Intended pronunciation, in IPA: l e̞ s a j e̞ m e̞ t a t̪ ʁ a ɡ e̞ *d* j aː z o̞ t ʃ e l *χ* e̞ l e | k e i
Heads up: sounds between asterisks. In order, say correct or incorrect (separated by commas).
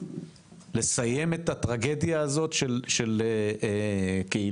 correct, incorrect